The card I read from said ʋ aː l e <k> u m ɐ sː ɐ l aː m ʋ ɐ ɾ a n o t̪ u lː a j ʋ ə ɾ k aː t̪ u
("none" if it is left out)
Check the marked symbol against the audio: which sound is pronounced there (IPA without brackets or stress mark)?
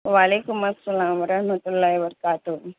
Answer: k